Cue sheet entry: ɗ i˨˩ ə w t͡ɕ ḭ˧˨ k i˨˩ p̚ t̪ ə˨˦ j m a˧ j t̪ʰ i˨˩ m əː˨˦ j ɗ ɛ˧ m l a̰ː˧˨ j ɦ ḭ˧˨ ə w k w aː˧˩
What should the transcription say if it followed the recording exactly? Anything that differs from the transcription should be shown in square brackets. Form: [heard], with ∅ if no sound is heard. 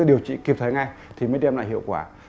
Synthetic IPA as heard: ɗ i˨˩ ə w t͡ɕ ḭ˧˨ k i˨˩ p̚ [t̪ʰ] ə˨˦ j [ŋ] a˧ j t̪ʰ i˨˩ m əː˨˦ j ɗ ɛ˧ m l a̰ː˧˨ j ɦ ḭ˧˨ ə w k w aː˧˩